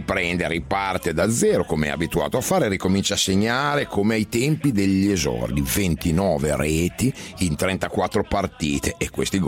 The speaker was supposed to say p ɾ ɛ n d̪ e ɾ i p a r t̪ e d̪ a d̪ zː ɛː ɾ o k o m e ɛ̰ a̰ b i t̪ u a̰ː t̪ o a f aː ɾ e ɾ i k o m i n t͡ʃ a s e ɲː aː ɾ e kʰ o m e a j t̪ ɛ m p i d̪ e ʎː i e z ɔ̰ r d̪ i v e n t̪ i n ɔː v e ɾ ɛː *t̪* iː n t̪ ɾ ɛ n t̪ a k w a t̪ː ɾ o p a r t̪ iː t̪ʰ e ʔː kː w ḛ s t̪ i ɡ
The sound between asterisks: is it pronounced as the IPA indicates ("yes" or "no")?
yes